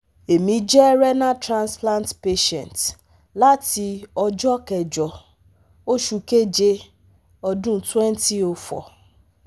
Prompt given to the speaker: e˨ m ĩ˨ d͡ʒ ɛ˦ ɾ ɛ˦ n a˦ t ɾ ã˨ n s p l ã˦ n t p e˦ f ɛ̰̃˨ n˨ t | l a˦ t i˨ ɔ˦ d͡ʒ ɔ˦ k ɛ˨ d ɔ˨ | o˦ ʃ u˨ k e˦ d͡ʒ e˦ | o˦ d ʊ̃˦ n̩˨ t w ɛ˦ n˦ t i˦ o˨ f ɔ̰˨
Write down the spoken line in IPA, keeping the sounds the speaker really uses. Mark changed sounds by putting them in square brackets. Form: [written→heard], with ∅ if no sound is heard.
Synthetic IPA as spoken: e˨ m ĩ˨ d͡ʒ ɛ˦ ɾ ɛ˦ n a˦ t ɾ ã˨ n s p l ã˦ n t p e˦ [f→ʃ] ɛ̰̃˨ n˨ t | l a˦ t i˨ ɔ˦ d͡ʒ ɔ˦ k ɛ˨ [d→d͡ʒ] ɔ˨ | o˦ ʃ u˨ k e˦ d͡ʒ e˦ | [o˦→ɔ˦] d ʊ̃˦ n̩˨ t w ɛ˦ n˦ t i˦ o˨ f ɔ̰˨

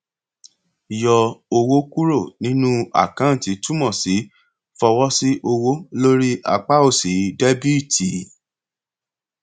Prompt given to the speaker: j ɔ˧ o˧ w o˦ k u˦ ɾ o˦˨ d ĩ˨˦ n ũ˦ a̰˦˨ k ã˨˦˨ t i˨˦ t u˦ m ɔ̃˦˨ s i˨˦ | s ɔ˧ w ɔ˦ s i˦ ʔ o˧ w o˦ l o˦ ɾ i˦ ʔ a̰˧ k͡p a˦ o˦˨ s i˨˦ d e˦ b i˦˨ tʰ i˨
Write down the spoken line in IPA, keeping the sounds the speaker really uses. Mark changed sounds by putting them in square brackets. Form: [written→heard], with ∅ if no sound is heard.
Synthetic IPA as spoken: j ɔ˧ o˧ w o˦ k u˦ ɾ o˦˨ [d→n] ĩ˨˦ n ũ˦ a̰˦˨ k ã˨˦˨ t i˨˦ t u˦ m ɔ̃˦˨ s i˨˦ | [s→f] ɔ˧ w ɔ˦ s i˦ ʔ o˧ w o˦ l o˦ ɾ i˦ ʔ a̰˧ k͡p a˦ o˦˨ s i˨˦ d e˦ b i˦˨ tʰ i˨

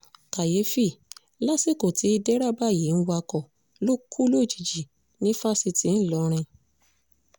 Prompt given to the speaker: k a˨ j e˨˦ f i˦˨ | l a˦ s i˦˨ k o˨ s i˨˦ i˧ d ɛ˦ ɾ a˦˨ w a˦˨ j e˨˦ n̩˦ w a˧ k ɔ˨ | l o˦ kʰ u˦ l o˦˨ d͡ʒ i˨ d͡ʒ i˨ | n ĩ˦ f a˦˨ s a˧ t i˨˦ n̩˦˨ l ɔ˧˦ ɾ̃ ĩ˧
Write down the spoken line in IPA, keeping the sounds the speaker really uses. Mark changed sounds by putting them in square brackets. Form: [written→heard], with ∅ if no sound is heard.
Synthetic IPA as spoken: k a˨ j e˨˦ f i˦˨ | l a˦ s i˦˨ k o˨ [s→t] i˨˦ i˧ d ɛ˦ ɾ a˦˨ [w→b] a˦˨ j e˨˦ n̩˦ w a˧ k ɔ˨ | l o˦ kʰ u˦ l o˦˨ d͡ʒ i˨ d͡ʒ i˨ | n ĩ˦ f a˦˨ s [a˧→i˧] t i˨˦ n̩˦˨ l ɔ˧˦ ɾ̃ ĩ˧

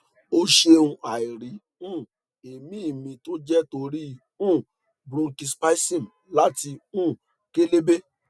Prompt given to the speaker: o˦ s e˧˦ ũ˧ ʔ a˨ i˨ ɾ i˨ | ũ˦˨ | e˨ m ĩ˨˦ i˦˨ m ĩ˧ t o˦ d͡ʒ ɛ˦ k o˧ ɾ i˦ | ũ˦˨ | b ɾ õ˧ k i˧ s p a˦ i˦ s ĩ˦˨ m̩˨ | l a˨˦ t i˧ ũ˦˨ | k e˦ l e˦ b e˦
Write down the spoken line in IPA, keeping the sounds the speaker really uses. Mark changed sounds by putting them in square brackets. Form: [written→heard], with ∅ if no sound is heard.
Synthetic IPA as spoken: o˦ [s→ʃ] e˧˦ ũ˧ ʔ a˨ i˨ ɾ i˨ | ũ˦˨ | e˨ m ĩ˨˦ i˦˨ m ĩ˧ t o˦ d͡ʒ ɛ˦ [k→t] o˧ ɾ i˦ | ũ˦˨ | b ɾ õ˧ k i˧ s p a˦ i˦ s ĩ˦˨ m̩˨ | l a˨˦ t i˧ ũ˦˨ | k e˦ l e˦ b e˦

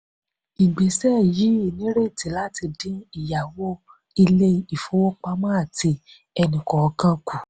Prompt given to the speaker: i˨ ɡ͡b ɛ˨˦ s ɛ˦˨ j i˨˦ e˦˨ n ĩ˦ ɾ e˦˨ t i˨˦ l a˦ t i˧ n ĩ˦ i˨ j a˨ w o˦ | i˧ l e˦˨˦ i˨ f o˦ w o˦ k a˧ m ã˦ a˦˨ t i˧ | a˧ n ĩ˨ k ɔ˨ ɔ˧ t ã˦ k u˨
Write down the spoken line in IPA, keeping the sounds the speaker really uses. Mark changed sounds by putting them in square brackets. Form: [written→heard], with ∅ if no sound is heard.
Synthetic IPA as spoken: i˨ ɡ͡b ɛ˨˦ s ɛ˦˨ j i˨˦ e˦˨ n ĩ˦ ɾ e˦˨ t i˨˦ l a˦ t i˧ [n→d] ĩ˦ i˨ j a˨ w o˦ | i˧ l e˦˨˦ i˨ f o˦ w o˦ [k→k͡p] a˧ m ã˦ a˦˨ t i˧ | [a˧→ɛ˧] n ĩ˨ k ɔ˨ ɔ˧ [t→k] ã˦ k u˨

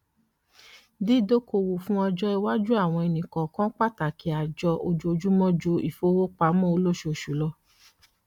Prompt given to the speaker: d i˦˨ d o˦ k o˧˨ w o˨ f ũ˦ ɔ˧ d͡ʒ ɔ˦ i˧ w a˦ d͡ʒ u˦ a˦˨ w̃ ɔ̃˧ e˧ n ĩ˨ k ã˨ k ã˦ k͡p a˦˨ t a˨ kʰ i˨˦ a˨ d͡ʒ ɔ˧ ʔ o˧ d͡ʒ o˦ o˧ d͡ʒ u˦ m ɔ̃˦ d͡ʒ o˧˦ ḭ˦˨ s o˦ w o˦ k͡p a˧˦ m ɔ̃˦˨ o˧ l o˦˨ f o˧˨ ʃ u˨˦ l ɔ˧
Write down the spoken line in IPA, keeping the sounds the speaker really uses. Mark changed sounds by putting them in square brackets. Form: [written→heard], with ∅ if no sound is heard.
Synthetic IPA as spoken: d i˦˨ d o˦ k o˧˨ w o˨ f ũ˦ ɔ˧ d͡ʒ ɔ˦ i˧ w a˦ d͡ʒ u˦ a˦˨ w̃ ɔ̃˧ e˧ n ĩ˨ k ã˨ k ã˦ k͡p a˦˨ t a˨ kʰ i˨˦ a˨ d͡ʒ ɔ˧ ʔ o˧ d͡ʒ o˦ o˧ d͡ʒ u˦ m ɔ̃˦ d͡ʒ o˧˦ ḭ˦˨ [s→f] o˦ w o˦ k͡p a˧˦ m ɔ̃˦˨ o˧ l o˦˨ [f→ʃ] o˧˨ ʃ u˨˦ l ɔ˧

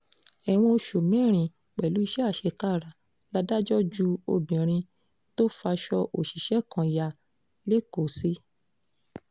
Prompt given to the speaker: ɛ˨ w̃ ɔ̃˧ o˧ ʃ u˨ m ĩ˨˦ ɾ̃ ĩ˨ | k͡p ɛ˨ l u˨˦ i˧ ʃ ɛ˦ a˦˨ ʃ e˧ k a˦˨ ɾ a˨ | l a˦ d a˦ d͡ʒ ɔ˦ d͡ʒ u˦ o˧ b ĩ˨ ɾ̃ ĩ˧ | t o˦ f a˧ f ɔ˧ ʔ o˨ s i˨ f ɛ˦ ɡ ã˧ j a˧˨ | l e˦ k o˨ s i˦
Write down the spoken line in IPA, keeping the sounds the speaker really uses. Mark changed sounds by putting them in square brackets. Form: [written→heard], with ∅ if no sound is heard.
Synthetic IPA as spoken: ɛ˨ w̃ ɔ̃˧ o˧ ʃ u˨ m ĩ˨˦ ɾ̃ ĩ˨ | k͡p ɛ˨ l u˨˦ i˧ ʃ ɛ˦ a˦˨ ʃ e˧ k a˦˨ ɾ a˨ | l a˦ d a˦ d͡ʒ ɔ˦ d͡ʒ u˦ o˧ b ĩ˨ ɾ̃ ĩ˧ | t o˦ f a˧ [f→ʃ] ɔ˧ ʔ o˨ [s→ʃ] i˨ [f→ʃ] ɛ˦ [ɡ→k] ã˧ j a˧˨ | l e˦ k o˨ s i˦

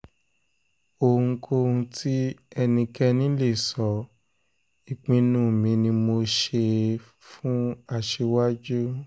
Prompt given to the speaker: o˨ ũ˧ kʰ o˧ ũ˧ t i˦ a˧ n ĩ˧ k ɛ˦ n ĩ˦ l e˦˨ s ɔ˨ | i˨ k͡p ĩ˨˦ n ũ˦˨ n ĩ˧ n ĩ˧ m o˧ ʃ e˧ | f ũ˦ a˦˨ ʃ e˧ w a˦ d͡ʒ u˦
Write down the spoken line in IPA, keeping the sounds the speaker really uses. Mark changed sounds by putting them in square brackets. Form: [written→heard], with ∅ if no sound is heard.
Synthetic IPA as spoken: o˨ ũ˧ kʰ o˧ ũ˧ t i˦ [a˧→ɛ˧] n ĩ˧ k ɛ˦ n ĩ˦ l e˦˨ s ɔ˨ | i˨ k͡p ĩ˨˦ n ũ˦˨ [n→m] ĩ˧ n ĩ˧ m o˧ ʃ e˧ | f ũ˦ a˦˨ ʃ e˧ w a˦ d͡ʒ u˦

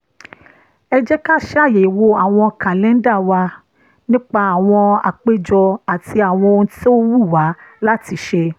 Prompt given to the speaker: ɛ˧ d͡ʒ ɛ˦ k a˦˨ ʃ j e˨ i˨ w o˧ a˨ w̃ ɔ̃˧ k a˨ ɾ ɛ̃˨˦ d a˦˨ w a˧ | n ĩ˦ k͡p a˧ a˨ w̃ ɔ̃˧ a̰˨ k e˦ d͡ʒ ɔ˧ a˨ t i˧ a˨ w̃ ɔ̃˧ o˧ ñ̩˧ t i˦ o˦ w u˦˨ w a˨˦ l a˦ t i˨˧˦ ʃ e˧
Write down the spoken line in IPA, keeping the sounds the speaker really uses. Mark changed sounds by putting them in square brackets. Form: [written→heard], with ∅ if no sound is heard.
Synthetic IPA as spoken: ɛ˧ d͡ʒ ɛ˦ k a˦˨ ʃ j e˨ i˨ w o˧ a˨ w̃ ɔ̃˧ k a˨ [ɾ→l] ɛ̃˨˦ d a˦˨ w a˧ | n ĩ˦ k͡p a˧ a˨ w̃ ɔ̃˧ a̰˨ [k→k͡p] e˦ d͡ʒ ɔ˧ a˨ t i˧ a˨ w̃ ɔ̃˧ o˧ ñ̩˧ t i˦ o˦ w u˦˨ w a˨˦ l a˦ t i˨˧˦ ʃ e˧

